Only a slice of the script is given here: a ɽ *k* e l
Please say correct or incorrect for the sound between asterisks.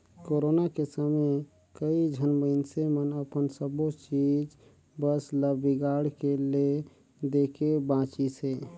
correct